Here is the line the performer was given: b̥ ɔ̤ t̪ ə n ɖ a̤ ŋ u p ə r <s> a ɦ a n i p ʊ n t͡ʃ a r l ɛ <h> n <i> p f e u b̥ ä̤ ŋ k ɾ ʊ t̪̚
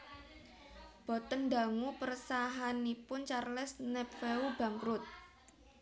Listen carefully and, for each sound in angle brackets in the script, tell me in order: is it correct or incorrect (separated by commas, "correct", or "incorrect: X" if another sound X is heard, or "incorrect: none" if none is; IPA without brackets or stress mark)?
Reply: correct, incorrect: s, incorrect: ɛ